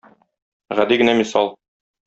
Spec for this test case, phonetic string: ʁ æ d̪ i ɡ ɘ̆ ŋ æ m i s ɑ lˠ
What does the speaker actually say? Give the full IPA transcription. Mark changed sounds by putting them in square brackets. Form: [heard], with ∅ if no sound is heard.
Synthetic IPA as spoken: ʁ æ d̪ i ɡ ɘ̆ [n] æ m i s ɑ lˠ